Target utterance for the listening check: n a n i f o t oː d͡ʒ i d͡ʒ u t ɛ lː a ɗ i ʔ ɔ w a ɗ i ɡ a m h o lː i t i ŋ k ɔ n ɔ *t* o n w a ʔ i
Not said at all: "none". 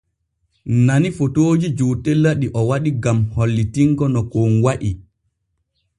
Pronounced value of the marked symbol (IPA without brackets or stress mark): k